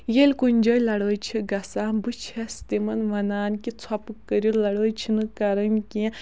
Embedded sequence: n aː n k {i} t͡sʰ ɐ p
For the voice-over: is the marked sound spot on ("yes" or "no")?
yes